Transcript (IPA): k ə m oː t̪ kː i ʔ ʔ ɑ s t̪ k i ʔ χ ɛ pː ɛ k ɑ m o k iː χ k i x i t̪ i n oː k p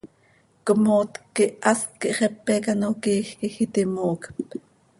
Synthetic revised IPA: k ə m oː t̪ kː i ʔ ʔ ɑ s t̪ k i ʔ χ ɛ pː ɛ k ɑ n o k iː x k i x i t̪ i m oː k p